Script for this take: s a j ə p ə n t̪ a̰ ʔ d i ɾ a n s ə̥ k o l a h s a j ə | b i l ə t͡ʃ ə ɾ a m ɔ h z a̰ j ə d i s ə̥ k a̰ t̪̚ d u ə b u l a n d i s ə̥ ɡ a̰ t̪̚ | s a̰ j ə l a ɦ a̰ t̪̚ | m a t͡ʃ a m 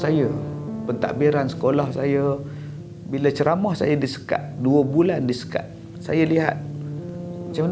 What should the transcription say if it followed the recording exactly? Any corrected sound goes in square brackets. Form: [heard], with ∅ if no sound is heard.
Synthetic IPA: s a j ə p ə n t̪ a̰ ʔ [b] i ɾ a n s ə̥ k o l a h s a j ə | b i l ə t͡ʃ ə ɾ a m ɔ h [s] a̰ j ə d i s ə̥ k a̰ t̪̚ d u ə b u l a n d i s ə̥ [k] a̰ t̪̚ | s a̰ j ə l [i] ɦ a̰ t̪̚ | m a t͡ʃ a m

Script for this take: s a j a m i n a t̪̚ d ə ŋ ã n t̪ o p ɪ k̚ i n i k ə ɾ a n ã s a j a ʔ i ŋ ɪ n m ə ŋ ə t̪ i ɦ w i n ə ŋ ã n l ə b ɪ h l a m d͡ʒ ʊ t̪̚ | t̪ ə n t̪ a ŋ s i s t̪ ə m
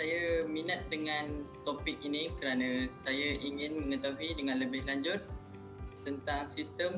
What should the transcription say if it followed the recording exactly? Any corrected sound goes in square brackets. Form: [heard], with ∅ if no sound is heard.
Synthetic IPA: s a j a m i n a t̪̚ d ə ŋ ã n t̪ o p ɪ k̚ i n i k ə ɾ a n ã s a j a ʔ i ŋ ɪ n m ə ŋ ə t̪ [a] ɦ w i [d] ə ŋ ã n l ə b ɪ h l a [ɲ] d͡ʒ ʊ t̪̚ | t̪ ə n t̪ a ŋ s i s t̪ ə m

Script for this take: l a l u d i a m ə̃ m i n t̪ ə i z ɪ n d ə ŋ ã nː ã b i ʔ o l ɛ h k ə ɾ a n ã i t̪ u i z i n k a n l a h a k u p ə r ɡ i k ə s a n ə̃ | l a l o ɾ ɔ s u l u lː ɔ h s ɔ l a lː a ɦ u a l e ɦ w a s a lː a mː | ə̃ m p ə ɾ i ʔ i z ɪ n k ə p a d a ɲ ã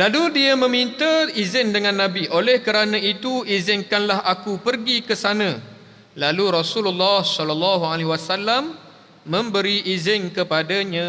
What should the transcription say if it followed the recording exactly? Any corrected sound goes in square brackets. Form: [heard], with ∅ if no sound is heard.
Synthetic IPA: l a l u d i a m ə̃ m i n t̪ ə i z ɪ n d ə ŋ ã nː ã b i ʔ o l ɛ h k ə ɾ a n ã i t̪ u i z [ɪ] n k a n l a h a k u p ə r ɡ i k ə s a n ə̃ | l a l [u] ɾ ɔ s u l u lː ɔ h s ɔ l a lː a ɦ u a l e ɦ w a s a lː a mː | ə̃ m [b] ə ɾ i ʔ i z ɪ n k ə p a d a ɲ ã

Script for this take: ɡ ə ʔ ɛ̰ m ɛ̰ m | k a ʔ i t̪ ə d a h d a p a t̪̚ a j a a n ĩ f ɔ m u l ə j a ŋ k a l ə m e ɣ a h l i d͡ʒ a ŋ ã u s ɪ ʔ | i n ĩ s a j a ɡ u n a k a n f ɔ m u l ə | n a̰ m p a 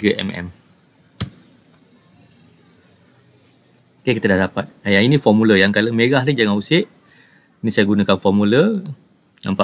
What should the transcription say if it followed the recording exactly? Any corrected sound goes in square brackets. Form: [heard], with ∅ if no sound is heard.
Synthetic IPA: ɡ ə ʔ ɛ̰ m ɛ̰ m | k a [k] i t̪ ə d a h d a p a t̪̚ a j a [i] n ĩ f ɔ m u l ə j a ŋ k a l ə m e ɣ a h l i d͡ʒ a ŋ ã u s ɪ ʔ | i n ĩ s a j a ɡ u n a k a n f ɔ m u l ə | n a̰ m p a

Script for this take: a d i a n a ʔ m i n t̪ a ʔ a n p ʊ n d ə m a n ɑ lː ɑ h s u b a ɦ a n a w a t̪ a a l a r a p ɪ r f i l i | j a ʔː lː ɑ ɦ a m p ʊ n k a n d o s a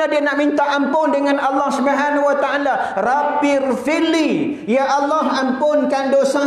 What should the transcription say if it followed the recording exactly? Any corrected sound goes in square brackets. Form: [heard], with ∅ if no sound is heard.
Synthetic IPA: a d i a n a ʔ m i n t̪ a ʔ a [m] p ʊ n d ə [ŋ] a n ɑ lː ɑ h s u b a ɦ a n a w a t̪ a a l a r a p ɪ r f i l i | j a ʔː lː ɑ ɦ a m p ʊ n k a n d o s a

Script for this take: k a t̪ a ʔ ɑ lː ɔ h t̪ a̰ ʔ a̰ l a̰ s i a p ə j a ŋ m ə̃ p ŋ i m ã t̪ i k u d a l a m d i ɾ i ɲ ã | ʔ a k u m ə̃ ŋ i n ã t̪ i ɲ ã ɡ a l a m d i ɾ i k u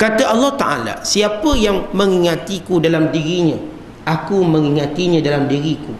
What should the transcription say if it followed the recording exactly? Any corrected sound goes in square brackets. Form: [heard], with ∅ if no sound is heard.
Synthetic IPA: k a t̪ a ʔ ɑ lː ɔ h t̪ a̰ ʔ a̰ l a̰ s i a p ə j a ŋ m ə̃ [∅] ŋ i [ŋ] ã t̪ i k u d a l a m d i ɾ i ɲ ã | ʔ a k u m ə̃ ŋ i [ŋ] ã t̪ i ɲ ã [d] a l a m d i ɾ i k u

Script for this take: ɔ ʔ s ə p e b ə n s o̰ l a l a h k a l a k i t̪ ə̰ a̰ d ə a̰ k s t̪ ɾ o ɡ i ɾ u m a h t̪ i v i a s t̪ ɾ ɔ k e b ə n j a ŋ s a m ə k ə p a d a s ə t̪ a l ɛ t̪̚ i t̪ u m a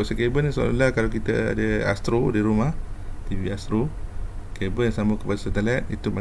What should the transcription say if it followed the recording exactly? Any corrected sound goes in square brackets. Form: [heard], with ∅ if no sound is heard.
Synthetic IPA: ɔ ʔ s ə [k] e b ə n s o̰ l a l a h k a l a k i t̪ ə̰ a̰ d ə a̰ [∅] s t̪ ɾ o [d] i ɾ u m a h t̪ i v i a s t̪ ɾ [o] k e b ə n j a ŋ s a m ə k ə p a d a s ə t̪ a l ɛ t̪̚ i t̪ u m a

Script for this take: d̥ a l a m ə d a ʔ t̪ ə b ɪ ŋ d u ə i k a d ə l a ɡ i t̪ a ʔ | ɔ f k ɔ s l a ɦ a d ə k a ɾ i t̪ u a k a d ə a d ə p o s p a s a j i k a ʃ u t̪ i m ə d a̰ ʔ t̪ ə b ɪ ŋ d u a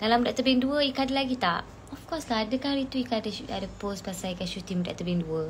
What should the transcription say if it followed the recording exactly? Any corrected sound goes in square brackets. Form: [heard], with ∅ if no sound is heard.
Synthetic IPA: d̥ a l a m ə d a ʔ t̪ ə b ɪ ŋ d u ə i k a d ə l a ɡ i t̪ a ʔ | ɔ f k ɔ s l a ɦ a d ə k a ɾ i t̪ u [i] k a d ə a d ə p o s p a s a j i k a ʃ u t̪ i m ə d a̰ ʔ t̪ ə b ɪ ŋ d u [ə]

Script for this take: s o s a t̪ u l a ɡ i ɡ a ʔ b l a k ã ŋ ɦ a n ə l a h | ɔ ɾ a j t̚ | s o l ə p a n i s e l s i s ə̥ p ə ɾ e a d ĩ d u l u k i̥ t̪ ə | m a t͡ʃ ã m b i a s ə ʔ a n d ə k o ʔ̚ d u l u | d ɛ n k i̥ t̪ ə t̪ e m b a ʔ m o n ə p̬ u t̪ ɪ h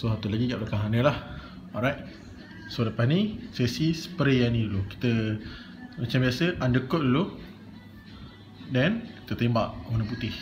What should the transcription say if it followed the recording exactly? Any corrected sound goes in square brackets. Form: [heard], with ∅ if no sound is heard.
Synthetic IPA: s o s a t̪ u l a ɡ i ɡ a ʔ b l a k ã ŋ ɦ a n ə l a h | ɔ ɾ a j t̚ | s o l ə p a n i s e [∅] s i s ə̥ p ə ɾ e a [n] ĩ d u l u k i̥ t̪ ə | m a t͡ʃ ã m b i a s ə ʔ a n d ə k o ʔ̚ d u l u | d ɛ n k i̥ t̪ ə t̪ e m b a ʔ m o n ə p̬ u t̪ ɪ h

